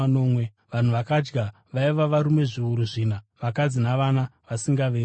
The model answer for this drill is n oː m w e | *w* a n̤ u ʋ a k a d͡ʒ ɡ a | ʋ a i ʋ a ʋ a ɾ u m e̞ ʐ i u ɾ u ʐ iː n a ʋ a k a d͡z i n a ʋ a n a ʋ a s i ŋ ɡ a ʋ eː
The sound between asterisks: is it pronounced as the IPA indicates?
no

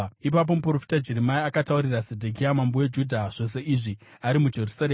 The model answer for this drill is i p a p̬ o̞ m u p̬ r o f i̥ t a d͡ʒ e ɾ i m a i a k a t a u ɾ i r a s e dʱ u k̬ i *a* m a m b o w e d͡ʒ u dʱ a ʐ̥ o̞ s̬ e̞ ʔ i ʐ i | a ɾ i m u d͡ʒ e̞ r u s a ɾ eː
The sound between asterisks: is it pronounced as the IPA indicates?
yes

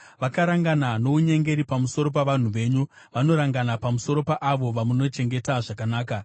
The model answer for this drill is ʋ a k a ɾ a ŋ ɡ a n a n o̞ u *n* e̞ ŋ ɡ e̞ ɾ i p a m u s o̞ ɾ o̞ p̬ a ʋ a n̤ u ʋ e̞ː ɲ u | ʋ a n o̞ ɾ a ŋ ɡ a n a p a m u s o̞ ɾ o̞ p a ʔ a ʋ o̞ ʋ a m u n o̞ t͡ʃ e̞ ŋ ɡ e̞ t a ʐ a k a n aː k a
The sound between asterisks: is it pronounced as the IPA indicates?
no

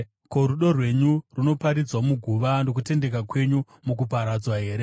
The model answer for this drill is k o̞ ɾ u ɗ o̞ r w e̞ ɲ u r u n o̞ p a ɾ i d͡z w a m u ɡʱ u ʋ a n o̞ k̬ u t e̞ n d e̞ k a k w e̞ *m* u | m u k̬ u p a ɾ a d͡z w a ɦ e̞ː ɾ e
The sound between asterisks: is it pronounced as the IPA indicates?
no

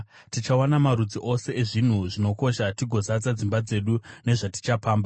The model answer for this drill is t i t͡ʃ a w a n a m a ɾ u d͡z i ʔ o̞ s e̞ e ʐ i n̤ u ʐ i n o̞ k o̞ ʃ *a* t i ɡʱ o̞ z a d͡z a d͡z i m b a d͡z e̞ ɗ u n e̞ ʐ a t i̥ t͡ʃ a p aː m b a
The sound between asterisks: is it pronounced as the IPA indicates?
yes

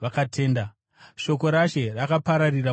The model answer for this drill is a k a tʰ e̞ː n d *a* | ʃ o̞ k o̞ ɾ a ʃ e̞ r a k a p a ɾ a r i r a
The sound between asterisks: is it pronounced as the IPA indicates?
yes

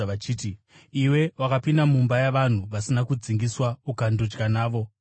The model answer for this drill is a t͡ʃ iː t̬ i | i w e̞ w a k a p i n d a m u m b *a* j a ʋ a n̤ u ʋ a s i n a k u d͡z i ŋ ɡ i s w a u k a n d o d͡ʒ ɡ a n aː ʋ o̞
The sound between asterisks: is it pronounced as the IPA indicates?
yes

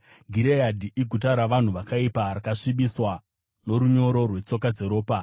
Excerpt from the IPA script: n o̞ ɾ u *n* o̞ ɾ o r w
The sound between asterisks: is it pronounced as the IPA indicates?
no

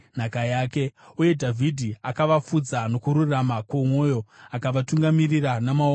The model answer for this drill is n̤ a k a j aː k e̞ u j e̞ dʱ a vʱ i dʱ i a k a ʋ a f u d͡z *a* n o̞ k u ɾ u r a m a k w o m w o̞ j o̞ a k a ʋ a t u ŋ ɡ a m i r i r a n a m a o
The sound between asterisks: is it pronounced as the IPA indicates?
yes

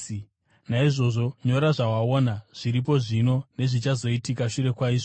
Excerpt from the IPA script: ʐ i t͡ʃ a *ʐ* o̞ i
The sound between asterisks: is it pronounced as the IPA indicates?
no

